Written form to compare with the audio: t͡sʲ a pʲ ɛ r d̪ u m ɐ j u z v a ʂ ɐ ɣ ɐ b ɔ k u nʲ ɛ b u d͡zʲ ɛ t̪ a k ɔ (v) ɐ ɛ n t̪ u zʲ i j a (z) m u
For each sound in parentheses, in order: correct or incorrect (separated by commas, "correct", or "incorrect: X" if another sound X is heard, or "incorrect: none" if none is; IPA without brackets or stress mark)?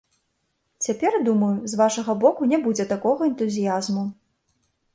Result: incorrect: ɣ, correct